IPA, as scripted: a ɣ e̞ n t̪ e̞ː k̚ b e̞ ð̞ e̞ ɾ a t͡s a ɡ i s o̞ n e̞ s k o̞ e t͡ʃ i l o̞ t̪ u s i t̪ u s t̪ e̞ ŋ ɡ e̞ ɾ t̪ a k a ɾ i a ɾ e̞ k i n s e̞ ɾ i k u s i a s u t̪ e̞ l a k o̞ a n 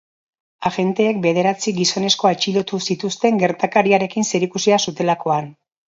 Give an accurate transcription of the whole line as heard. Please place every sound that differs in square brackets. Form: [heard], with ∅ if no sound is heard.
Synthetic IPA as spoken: a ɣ e̞ n t̪ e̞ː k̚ b e̞ ð̞ e̞ ɾ a t͡s [i] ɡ i s o̞ n e̞ s k o̞ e t͡ʃ i l o̞ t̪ u s i t̪ u s t̪ e̞ ŋ ɡ e̞ ɾ t̪ a k a ɾ i a ɾ e̞ k i n s e̞ ɾ i k u s i a s u t̪ e̞ l a k o̞ a n